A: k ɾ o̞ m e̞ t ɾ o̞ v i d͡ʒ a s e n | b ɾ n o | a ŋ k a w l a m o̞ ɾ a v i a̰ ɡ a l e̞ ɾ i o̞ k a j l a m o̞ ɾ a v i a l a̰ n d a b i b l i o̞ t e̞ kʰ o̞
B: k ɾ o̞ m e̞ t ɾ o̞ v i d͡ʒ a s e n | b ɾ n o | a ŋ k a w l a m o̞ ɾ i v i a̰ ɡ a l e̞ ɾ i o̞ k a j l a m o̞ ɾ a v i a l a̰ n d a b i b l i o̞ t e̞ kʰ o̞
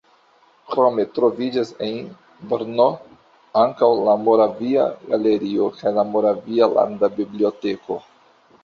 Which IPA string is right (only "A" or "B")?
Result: A